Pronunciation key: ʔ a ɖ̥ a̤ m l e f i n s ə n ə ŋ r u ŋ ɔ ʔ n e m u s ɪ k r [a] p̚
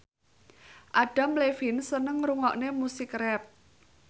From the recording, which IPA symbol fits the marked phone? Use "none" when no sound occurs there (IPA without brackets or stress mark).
ɛ